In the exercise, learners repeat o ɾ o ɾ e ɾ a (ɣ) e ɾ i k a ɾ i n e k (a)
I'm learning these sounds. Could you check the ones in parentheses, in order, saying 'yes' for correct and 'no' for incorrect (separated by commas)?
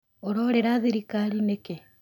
no, no